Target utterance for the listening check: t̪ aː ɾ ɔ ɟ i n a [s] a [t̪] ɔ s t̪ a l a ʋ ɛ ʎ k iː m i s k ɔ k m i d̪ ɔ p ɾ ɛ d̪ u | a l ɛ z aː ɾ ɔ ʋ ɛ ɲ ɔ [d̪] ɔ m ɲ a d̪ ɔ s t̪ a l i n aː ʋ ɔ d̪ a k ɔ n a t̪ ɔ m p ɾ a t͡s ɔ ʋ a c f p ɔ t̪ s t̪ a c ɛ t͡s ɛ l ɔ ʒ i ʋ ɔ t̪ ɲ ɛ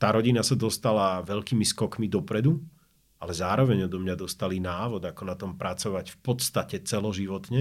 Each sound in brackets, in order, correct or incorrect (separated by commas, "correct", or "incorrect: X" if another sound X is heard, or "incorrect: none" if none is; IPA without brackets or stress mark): correct, incorrect: d̪, correct